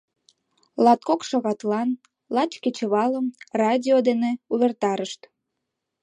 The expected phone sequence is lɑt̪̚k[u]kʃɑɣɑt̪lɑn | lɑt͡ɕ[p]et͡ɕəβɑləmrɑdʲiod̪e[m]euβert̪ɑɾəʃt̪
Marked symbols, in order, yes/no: no, no, no

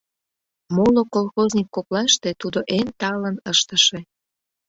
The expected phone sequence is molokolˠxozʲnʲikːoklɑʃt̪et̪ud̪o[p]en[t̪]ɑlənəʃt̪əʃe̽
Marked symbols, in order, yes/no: no, yes

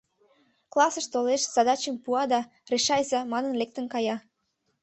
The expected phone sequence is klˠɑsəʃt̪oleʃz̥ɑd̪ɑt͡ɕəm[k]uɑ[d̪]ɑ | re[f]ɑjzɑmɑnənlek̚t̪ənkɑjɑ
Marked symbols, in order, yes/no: no, yes, no

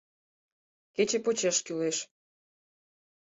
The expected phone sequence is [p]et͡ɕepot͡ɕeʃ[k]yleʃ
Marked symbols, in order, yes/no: no, yes

